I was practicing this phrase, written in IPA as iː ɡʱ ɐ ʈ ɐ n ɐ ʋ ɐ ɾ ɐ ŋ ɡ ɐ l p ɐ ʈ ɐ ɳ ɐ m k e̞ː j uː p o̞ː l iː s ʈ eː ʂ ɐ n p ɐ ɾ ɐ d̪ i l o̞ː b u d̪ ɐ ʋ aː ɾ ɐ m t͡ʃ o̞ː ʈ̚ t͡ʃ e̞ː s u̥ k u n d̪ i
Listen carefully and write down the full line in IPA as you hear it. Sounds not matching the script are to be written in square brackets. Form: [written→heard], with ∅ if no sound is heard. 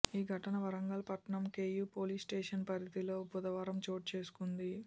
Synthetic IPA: iː ɡʱ ɐ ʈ ɐ n ɐ ʋ ɐ ɾ ɐ ŋ ɡ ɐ l p ɐ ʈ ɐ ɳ ɐ m k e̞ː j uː p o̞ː l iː s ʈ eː ʂ ɐ n p ɐ ɾ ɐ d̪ i l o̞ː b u d̪ ɐ ʋ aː ɾ ɐ m t͡ʃ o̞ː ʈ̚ t͡ʃ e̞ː s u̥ k u n d̪ i

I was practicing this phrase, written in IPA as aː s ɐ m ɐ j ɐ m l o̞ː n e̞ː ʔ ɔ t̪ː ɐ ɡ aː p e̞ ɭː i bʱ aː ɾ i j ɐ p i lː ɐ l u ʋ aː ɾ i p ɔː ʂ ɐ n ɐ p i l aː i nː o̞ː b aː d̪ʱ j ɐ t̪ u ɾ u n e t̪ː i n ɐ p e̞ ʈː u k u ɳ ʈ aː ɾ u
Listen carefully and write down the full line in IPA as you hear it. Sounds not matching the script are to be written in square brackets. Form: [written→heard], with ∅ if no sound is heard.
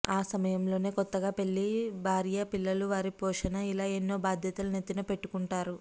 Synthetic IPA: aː s ɐ m ɐ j ɐ m l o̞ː n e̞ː [ʔ→k] ɔ t̪ː ɐ ɡ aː p e̞ ɭː i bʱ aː ɾ i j ɐ p i lː ɐ l u ʋ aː ɾ i p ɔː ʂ ɐ n ɐ [p→∅] i l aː [i→e] nː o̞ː b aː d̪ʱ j ɐ t̪ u [ɾ→l] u n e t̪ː i n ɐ p e̞ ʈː u k u ɳ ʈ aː ɾ u

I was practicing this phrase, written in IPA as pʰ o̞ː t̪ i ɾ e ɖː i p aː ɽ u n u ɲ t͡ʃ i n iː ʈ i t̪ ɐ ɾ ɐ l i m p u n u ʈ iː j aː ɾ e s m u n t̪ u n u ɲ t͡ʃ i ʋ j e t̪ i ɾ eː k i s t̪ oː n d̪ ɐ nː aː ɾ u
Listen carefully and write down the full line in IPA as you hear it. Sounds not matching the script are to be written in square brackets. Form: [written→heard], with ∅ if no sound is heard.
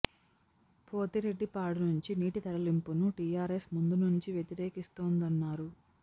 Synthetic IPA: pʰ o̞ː t̪ i ɾ e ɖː i p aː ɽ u n u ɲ t͡ʃ i n iː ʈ i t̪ ɐ ɾ ɐ l i m p u n u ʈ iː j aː ɾ e s m u n [t̪→d̪] u n u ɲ t͡ʃ i ʋ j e t̪ i ɾ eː k i s t̪ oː n d̪ ɐ nː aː ɾ u

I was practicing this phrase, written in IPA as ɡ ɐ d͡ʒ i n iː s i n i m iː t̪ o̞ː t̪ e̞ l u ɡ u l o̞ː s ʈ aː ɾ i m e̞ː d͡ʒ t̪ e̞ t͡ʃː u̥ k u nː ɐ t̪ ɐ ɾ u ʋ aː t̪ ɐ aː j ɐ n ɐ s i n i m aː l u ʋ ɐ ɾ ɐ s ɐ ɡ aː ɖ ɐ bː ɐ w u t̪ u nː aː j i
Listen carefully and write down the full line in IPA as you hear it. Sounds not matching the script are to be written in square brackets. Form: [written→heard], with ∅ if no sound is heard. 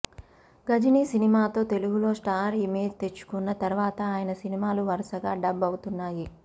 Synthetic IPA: ɡ ɐ d͡ʒ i n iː s i n i m [iː→aː] t̪ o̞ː t̪ e̞ l u ɡ u l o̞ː s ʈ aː ɾ i m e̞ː d͡ʒ t̪ e̞ t͡ʃː u̥ k u nː ɐ t̪ ɐ ɾ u ʋ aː t̪ ɐ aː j ɐ n ɐ s i n i m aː l u ʋ ɐ ɾ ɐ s ɐ ɡ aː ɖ ɐ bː ɐ w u t̪ u nː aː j i

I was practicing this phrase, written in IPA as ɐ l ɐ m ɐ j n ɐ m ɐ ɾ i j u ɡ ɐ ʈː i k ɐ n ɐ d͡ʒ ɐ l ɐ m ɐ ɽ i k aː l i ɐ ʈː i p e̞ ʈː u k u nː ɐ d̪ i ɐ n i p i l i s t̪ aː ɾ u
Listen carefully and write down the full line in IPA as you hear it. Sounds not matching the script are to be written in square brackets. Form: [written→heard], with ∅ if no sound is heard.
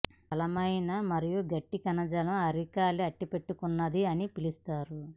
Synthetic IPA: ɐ l ɐ m ɐ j n ɐ m ɐ ɾ i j u ɡ ɐ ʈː i k ɐ n ɐ d͡ʒ ɐ l ɐ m ɐ [ɽ→ɾ] i k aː l i ɐ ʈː i p e̞ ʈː u k u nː ɐ d̪ i ɐ n i p i l i s t̪ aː ɾ u

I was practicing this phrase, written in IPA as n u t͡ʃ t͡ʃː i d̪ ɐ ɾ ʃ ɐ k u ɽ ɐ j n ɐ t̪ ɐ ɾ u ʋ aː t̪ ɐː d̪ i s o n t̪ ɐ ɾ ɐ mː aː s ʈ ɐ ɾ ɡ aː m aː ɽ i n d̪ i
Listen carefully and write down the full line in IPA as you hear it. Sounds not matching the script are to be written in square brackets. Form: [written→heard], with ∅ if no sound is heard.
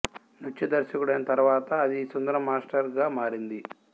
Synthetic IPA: n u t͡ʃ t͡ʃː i d̪ ɐ ɾ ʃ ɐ k u ɽ ɐ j n ɐ t̪ ɐ ɾ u ʋ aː t̪ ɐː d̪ i s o n [t̪→d̪] ɐ ɾ ɐ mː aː s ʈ ɐ ɾ ɡ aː m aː [ɽ→ɾ] i n d̪ i

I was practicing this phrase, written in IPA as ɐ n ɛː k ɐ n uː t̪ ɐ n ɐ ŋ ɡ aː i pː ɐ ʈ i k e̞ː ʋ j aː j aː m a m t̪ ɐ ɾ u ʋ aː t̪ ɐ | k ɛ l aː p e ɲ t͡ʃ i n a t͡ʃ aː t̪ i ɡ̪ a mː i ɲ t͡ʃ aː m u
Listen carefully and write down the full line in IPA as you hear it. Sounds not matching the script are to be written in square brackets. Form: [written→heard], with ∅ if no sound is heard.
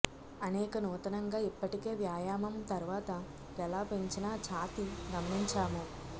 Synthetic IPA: ɐ n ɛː k ɐ n uː t̪ ɐ n ɐ ŋ ɡ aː i pː ɐ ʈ i k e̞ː ʋ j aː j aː m [a→ɐ] m t̪ ɐ ɾ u ʋ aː t̪ ɐ | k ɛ l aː p e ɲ t͡ʃ i n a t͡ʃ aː t̪ i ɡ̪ [a→ɐ] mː i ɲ t͡ʃ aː m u

